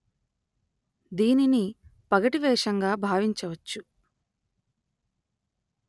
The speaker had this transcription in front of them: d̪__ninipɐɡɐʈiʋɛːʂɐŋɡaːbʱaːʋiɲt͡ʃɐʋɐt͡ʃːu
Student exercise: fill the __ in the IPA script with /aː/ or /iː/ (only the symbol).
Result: iː